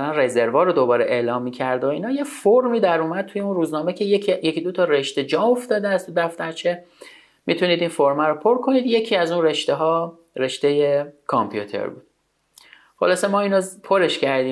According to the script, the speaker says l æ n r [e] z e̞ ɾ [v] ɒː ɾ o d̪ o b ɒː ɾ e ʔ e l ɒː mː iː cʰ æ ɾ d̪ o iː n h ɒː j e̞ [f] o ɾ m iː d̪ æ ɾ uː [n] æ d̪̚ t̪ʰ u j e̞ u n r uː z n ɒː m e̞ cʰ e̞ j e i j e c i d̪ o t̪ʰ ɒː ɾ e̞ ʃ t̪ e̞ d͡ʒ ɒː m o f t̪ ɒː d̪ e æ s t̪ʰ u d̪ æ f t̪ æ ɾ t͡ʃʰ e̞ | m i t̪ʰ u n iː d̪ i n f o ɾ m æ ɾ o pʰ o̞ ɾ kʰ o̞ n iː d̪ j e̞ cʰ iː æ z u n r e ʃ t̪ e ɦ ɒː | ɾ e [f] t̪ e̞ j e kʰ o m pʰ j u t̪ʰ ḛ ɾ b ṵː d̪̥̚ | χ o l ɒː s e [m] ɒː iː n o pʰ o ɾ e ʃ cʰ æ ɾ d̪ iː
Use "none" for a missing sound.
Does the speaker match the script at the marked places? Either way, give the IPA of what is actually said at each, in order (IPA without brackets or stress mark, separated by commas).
e, v, f, m, ʃ, m